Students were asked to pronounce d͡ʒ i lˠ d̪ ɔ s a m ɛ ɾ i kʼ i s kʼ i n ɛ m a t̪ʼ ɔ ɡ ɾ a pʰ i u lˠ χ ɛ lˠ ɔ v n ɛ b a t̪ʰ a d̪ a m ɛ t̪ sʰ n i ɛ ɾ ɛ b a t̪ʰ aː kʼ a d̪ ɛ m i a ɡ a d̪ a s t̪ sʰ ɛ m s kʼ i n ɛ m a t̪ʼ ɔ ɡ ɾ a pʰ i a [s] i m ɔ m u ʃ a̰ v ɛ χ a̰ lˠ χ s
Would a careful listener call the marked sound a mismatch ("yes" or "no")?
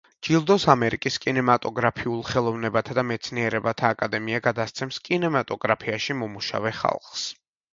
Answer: yes